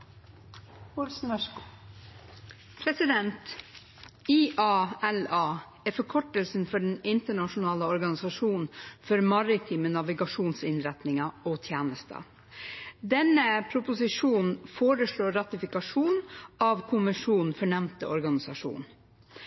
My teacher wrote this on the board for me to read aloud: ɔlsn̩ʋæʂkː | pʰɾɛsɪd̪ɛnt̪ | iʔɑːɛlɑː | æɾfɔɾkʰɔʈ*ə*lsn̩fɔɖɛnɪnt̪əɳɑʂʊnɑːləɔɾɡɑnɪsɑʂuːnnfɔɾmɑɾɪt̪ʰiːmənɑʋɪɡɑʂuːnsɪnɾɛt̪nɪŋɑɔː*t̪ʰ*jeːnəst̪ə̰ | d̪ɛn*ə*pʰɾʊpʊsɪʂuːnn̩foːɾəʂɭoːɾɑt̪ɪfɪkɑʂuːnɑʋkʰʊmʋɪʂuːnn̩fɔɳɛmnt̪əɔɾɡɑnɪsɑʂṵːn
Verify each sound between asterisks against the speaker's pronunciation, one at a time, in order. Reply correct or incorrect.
correct, correct, correct

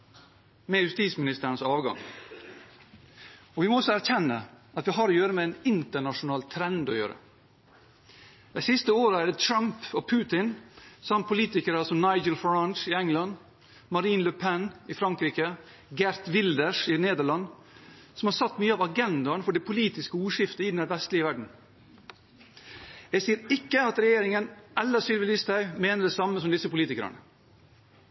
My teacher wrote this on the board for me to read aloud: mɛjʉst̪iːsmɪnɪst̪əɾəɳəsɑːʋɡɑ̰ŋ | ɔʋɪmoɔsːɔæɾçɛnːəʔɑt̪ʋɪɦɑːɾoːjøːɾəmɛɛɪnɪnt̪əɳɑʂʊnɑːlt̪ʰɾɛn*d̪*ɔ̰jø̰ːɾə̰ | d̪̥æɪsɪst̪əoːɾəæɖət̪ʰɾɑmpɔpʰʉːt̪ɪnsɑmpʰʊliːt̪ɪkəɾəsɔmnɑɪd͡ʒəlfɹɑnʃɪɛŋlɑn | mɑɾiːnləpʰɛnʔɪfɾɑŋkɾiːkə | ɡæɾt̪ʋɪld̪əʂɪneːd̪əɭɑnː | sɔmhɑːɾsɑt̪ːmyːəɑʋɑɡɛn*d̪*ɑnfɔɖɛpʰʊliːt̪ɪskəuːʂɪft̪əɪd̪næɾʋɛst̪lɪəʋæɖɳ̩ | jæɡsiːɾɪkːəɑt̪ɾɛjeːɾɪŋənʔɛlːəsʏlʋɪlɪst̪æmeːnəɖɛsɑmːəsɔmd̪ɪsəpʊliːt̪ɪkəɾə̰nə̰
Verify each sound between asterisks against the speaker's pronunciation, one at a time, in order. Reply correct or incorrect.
correct, correct

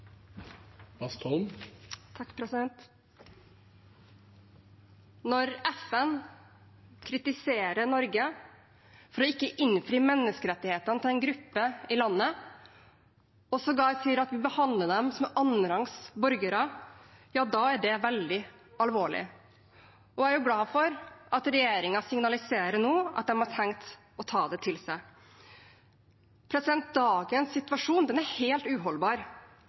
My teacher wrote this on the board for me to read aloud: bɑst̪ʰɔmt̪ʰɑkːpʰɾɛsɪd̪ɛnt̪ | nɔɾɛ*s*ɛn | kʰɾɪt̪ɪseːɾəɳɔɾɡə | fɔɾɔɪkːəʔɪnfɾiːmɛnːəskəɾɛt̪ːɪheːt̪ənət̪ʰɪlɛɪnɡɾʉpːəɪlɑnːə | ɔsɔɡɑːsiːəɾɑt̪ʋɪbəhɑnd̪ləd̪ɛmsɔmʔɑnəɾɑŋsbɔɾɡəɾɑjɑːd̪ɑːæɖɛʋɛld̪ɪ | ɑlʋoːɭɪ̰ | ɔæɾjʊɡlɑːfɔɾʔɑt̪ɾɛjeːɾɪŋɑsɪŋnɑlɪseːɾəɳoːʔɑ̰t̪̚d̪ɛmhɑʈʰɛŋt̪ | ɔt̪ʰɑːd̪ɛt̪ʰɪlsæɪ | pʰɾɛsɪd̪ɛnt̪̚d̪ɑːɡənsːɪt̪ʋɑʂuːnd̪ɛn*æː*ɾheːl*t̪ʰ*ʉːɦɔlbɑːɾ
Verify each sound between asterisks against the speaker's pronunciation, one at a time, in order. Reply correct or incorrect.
incorrect: f, incorrect: æ, incorrect: t̪

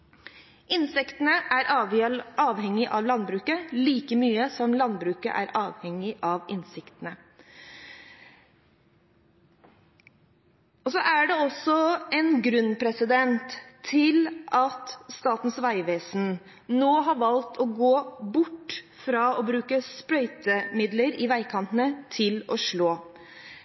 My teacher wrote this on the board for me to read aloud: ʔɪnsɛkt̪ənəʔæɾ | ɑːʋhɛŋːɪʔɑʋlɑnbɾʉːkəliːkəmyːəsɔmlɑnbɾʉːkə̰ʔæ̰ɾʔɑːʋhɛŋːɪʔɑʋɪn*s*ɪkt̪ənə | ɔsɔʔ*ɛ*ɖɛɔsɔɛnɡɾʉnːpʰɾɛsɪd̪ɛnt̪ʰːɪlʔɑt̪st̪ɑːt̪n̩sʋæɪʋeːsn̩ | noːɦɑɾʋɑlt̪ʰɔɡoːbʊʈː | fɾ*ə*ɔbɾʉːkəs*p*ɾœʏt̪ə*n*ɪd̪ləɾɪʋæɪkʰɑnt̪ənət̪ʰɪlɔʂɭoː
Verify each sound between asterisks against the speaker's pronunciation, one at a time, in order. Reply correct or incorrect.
correct, incorrect: æ, incorrect: ɑ, correct, incorrect: m

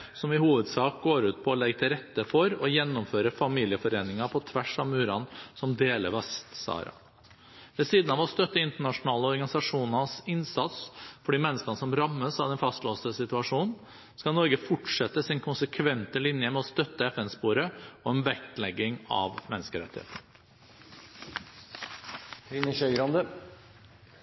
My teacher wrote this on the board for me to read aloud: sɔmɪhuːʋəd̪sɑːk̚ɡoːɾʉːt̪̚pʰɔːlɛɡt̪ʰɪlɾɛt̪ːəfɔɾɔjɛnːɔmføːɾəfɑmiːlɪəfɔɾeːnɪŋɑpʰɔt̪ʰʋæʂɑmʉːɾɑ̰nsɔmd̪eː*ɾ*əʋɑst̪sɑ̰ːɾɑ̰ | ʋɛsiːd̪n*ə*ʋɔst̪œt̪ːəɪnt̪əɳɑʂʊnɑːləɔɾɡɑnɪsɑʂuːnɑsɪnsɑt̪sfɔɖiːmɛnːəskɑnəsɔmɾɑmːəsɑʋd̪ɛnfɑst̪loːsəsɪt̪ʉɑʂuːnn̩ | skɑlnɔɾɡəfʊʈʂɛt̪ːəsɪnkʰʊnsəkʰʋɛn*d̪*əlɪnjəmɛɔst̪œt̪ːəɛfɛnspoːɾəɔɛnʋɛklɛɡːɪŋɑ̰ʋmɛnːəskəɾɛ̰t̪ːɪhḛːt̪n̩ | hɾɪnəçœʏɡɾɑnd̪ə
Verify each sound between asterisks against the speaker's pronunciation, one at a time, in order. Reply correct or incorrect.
incorrect: l, incorrect: ɑ, incorrect: t̪

